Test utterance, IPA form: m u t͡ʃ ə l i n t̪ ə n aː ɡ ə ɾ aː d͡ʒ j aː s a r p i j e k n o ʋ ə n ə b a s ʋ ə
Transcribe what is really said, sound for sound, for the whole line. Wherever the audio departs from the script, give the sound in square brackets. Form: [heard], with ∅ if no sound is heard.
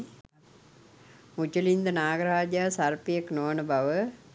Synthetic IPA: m u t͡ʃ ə l i n [d̪] ə n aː ɡ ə ɾ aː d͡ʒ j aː s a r p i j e k n o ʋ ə n ə b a [∅] ʋ ə